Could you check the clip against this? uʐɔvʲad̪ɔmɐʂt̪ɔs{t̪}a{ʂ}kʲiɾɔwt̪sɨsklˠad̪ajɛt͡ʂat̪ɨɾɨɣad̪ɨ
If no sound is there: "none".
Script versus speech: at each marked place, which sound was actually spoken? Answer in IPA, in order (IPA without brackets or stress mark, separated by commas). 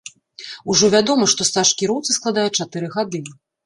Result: t̪, ʂ